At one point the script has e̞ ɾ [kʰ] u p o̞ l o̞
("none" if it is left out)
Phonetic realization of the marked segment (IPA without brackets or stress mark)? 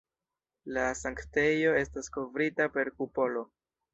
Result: k